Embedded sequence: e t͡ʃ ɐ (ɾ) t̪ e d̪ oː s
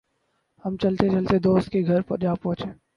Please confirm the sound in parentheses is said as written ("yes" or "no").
no